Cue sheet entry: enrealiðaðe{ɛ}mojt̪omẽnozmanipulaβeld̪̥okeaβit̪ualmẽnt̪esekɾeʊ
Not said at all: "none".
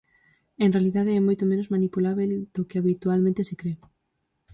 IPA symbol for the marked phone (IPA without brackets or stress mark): ɛ